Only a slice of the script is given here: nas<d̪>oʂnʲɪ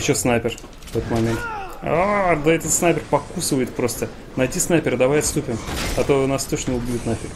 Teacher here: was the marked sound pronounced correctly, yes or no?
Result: no